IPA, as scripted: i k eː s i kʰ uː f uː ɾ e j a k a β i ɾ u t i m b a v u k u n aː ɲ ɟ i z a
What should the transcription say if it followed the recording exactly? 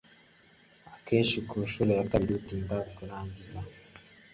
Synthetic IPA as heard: a k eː ʃ i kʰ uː ʃ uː ɾ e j a k a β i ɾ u t i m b a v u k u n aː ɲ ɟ i z a